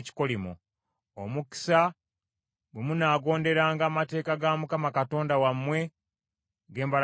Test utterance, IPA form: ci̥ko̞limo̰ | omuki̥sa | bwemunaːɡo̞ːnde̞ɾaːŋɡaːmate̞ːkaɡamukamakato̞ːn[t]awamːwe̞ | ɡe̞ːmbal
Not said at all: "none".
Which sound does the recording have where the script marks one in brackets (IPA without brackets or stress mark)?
d